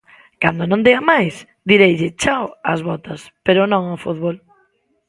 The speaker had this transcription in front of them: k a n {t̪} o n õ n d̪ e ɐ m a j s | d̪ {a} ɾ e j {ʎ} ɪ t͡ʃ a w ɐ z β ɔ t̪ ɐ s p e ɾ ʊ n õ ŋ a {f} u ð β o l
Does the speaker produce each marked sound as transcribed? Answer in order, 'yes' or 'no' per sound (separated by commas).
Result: no, no, yes, yes